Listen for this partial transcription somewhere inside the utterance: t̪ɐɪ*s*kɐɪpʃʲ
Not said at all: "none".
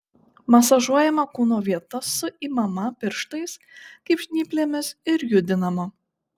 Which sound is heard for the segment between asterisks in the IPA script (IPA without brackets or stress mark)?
s